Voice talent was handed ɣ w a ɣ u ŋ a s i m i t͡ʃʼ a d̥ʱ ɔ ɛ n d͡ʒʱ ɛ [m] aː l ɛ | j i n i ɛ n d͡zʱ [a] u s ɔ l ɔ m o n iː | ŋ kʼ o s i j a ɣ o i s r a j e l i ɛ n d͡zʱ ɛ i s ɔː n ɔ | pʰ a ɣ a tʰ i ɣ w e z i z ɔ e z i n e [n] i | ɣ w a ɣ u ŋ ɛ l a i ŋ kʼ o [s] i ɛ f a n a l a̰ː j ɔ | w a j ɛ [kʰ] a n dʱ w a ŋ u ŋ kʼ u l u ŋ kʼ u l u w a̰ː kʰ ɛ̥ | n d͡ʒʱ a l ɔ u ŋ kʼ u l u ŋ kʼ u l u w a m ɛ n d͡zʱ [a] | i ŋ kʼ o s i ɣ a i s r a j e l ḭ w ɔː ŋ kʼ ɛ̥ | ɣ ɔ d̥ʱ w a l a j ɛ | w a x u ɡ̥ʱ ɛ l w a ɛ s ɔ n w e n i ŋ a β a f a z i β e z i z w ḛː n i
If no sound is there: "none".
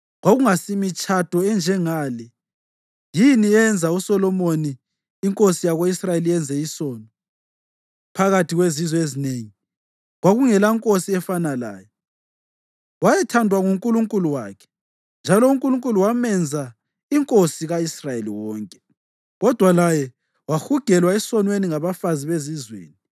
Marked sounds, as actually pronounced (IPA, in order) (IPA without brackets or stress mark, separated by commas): ŋ, a, ŋ, s, tʰ, a